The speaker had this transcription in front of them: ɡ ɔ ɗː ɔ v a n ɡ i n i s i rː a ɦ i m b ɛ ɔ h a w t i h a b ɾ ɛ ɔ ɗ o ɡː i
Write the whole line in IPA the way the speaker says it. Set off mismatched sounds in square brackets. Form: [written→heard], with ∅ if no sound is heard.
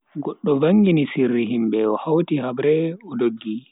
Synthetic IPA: ɡ ɔ ɗː ɔ v a [n→ŋ] ɡ i n i s i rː [a→i] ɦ i m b ɛ ɔ h a w t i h a b ɾ ɛ ɔ [ɗ→d] o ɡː i